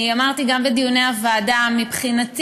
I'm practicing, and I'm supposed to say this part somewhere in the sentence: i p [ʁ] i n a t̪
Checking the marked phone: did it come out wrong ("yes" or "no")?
yes